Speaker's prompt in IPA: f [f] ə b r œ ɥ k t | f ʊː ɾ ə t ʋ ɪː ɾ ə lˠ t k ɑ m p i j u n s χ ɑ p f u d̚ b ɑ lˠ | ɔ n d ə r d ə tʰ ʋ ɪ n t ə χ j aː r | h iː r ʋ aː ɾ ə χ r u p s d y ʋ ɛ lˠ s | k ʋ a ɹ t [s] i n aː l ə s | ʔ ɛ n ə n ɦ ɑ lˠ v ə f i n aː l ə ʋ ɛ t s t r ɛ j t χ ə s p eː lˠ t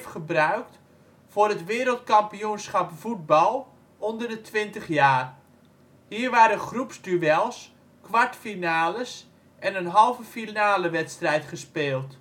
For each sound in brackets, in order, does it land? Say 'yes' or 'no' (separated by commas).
no, no